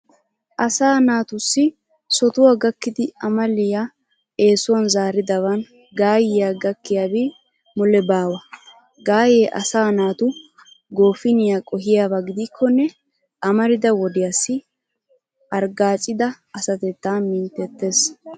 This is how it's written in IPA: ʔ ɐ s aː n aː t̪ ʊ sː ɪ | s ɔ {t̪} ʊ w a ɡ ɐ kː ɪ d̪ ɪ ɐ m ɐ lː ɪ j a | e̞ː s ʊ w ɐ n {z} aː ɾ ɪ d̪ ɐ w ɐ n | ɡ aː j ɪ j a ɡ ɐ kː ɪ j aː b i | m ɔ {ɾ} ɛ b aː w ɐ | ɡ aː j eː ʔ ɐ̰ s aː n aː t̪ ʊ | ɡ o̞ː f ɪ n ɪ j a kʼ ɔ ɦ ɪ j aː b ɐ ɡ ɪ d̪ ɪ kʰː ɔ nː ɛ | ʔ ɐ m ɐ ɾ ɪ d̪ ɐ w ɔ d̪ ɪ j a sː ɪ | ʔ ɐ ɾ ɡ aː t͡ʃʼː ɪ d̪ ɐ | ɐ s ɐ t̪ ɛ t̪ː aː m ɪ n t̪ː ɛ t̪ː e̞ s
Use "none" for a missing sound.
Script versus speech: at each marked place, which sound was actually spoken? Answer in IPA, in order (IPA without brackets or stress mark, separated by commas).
t̪, z, l